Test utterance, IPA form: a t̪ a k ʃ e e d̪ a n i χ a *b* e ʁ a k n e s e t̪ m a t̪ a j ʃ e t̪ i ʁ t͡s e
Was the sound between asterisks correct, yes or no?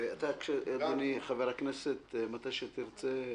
no